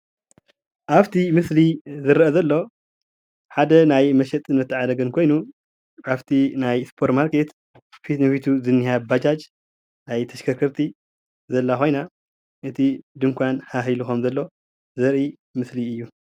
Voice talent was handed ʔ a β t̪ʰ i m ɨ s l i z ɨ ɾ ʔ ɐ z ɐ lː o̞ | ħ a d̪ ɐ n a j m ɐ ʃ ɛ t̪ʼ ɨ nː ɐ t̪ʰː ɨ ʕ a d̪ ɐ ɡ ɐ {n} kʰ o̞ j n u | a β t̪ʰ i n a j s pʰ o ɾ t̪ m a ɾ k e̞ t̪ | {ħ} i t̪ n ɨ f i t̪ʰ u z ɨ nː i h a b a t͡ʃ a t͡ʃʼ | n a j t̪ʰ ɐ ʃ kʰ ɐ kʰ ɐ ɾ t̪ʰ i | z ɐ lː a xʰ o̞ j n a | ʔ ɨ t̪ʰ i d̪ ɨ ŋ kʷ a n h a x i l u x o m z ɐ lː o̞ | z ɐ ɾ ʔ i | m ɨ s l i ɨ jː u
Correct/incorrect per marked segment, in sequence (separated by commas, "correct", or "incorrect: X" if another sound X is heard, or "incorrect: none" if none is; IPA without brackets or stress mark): correct, incorrect: f